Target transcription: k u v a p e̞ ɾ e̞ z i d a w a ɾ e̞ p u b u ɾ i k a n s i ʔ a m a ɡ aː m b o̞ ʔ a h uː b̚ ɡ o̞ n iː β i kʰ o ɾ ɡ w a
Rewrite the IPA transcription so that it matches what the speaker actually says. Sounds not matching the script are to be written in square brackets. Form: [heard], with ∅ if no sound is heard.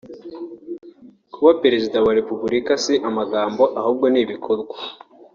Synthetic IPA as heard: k u [β] a p e̞ ɾ e̞ z i d a w a ɾ e̞ p u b u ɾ i k a [∅] s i ʔ a m a ɡ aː m b o̞ ʔ a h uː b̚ ɡ o̞ n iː β i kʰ o ɾ ɡ w a